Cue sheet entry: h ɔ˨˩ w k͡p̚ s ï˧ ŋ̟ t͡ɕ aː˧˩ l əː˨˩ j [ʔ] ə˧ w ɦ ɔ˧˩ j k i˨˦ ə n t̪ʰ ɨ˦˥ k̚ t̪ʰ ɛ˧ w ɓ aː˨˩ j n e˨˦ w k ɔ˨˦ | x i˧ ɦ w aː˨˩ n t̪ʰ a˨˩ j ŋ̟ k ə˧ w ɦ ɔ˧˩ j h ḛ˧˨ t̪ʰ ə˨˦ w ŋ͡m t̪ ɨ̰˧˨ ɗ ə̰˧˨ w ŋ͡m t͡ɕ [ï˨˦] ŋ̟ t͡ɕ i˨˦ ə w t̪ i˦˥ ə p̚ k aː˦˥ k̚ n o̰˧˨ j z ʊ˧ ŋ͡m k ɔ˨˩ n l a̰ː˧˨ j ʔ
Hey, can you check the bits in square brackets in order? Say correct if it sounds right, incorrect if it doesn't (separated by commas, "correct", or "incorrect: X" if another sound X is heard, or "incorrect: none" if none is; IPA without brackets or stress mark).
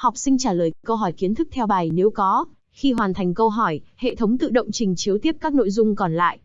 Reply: incorrect: k, incorrect: ï˨˩